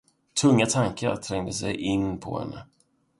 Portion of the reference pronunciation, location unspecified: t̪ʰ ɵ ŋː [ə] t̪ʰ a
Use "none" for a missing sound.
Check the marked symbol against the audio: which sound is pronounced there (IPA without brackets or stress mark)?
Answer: a